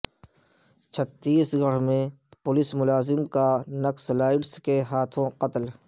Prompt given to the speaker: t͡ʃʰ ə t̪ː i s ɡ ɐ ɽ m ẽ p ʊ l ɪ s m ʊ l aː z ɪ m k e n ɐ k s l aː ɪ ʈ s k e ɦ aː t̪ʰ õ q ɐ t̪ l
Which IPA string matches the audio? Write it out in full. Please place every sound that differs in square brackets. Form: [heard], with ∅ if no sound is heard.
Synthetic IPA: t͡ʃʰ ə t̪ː [iː] s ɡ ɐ ɽ m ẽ p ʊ l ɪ s m ʊ l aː z ɪ m k [a] n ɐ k s l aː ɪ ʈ s k e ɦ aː t̪ʰ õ q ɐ t̪ l